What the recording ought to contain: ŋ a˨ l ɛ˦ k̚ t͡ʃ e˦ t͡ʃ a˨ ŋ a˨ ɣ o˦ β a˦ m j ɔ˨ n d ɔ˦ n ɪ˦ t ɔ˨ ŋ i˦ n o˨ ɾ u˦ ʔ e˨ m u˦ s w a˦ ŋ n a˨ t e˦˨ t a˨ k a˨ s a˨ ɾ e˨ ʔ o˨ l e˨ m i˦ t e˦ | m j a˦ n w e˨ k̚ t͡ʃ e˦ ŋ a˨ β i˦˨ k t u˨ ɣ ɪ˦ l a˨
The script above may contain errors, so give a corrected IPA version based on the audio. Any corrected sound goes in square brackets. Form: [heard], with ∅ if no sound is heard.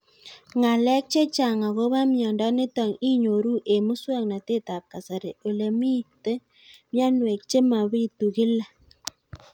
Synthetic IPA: ŋ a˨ l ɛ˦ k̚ t͡ʃ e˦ t͡ʃ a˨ ŋ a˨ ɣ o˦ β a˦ m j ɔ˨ n d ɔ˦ n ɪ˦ t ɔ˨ ŋ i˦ [ɲ] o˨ ɾ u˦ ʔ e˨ m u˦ s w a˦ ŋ n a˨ t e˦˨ t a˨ k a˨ s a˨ ɾ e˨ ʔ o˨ l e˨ m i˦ t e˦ | m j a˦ n w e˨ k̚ t͡ʃ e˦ [m] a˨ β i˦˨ [∅] t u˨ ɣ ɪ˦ l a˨